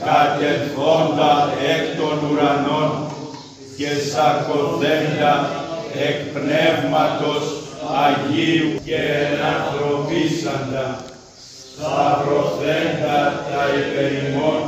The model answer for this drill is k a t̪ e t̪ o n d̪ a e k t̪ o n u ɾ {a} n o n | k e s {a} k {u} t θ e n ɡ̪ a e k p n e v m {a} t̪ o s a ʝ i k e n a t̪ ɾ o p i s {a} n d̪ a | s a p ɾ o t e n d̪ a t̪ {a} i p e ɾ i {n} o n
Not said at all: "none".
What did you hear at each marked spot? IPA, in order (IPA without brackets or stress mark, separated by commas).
a, a, o, a, a, a, m